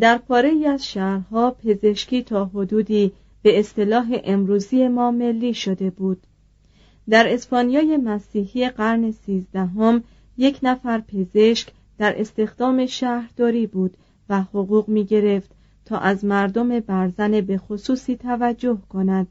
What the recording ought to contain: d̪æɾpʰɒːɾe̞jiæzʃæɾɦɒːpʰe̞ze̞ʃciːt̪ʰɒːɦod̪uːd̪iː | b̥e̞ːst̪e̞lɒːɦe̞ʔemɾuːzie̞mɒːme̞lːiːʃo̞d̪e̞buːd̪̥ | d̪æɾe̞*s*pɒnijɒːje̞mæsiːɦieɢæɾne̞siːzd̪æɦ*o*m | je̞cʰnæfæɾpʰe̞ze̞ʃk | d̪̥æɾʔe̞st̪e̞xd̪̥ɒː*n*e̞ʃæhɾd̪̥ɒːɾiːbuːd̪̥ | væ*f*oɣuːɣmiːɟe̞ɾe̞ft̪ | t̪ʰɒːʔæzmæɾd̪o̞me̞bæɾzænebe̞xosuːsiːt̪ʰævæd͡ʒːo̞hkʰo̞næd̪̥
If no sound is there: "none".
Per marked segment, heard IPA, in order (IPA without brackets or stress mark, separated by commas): s, o, m, h